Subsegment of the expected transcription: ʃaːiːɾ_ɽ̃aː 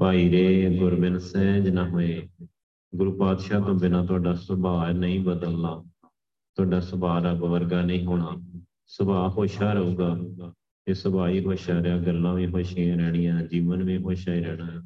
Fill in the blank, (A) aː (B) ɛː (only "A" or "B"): B